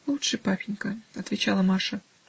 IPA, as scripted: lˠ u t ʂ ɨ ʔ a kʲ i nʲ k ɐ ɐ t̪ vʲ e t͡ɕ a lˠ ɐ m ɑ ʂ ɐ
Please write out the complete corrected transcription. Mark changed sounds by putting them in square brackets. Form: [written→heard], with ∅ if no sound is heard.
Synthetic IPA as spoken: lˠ u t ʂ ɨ [ʔ→p] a [kʲ→pʲ] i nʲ k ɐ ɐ t̪ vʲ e t͡ɕ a lˠ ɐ m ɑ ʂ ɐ